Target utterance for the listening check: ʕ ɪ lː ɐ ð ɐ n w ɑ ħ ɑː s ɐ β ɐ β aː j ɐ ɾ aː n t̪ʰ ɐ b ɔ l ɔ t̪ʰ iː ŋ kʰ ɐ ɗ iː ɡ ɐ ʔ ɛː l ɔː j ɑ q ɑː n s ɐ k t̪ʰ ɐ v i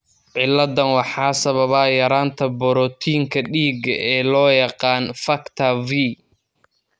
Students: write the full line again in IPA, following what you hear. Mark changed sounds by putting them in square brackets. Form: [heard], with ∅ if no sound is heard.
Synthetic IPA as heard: ʕ ɪ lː ɐ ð ɐ n w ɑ ħ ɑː s ɐ β ɐ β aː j ɐ ɾ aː n t̪ʰ ɐ b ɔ [ɾ] ɔ t̪ʰ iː ŋ kʰ ɐ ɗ iː ɡ ɐ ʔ ɛː l ɔː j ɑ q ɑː n [f] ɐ k t̪ʰ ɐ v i